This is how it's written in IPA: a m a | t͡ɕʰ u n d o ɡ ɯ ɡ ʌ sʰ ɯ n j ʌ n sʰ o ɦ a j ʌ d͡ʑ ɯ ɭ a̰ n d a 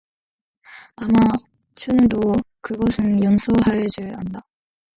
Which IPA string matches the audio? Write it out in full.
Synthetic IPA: a m a | t͡ɕʰ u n d o k ɯ ɡ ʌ sʰ ɯ n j ʌ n sʰ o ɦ a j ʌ d͡ʑ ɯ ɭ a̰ n d a